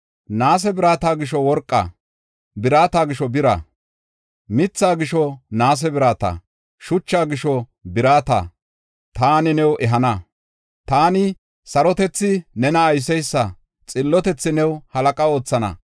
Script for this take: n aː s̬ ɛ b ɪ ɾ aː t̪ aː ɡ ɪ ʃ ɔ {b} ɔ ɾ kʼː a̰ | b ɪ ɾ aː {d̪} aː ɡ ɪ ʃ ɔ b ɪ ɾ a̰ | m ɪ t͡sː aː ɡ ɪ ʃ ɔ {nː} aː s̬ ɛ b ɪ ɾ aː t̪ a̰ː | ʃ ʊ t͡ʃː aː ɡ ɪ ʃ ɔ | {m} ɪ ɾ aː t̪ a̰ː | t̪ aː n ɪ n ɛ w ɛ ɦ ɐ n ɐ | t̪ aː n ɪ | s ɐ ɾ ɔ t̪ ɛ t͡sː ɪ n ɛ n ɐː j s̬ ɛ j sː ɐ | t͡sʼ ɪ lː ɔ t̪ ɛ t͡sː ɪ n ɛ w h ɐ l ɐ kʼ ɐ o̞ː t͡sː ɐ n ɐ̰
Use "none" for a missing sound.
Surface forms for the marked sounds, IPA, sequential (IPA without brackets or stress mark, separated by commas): w, t̪, n, b